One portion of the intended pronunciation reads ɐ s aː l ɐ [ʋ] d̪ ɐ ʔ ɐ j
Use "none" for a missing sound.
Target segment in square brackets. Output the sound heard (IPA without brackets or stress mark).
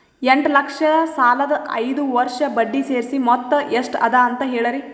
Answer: none